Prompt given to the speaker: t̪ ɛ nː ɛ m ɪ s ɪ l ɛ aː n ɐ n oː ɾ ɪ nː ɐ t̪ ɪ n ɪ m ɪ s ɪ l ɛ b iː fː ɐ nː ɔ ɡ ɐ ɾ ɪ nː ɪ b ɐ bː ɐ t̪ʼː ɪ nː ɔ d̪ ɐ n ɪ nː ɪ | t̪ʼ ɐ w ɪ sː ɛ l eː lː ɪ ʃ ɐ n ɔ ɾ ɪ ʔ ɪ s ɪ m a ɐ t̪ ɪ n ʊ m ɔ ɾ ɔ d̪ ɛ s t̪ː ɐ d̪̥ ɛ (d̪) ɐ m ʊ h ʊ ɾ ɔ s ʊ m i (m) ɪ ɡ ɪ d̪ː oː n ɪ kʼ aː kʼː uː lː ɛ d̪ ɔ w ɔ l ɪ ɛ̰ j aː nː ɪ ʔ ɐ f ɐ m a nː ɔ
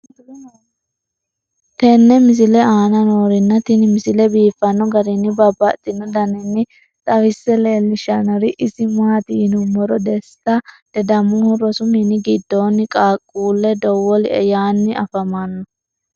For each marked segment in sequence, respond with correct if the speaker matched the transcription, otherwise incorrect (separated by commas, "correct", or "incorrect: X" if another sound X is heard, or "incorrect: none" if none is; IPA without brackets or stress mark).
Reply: correct, incorrect: n